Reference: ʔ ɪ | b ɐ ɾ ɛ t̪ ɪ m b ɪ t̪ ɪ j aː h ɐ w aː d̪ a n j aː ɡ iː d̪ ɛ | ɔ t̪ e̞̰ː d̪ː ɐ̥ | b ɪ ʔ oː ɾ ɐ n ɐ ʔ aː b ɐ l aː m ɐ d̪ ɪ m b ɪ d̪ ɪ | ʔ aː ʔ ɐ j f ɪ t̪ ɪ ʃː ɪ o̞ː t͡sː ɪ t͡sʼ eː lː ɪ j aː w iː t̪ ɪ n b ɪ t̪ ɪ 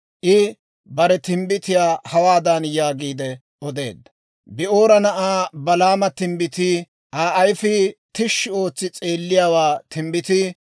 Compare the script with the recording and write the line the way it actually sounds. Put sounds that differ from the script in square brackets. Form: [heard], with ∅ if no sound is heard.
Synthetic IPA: ʔ ɪ | b ɐ ɾ ɛ t̪ ɪ m b ɪ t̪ ɪ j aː h ɐ w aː d̪ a n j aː ɡ iː d̪ ɛ | ɔ [d̪] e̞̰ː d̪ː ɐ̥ | b ɪ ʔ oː ɾ ɐ n ɐ ʔ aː b ɐ l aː m ɐ [t̪] ɪ m b ɪ [t̪] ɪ | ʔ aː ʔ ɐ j f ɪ t̪ ɪ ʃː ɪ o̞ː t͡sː ɪ t͡sʼ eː lː ɪ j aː w [aː] t̪ ɪ [m] b ɪ t̪ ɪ